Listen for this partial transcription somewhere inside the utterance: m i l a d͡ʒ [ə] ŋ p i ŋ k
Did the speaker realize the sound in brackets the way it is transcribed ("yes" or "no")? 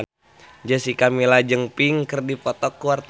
yes